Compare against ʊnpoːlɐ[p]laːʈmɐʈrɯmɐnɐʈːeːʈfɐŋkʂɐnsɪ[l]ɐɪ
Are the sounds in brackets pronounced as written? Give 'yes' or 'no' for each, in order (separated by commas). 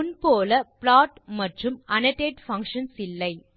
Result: yes, no